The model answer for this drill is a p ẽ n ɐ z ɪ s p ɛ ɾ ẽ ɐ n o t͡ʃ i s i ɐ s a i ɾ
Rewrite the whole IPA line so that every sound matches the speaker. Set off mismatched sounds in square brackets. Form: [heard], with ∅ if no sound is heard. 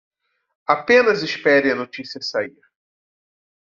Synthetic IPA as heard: a p ẽ n ɐ z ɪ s p ɛ ɾ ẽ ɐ n o t͡ʃ i s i ɐ s a i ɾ